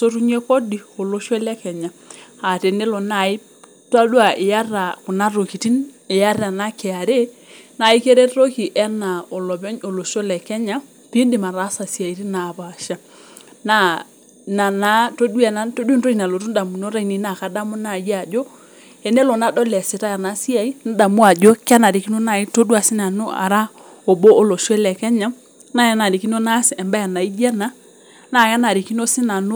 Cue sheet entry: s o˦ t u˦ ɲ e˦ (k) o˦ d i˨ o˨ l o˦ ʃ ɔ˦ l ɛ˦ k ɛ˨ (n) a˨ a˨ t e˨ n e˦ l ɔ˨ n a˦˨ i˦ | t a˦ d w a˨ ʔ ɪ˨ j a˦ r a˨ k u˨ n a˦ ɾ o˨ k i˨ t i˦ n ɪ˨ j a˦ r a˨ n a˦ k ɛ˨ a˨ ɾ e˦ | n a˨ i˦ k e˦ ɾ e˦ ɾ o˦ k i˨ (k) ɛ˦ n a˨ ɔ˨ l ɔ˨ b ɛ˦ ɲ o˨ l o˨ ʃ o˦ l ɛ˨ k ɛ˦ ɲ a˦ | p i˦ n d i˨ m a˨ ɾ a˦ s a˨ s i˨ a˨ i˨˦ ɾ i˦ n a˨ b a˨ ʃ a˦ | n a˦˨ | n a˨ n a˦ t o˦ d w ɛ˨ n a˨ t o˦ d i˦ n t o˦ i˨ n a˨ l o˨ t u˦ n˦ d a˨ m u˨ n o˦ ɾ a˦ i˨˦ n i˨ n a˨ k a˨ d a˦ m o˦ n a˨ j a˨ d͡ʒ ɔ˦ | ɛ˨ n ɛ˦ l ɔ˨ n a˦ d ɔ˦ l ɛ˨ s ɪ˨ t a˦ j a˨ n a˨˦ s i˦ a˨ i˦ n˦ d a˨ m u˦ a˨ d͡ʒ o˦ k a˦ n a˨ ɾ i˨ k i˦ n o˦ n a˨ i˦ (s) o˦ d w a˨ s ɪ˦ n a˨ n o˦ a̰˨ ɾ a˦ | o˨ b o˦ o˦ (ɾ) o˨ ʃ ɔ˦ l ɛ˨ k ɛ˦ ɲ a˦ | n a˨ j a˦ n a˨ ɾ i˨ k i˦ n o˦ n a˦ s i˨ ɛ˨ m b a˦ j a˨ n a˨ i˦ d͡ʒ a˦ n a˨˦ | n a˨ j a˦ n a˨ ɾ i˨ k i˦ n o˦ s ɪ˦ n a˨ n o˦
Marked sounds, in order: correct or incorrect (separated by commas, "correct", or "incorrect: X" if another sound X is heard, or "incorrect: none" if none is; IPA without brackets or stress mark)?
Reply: correct, incorrect: ɲ, incorrect: ʔ, incorrect: t, incorrect: l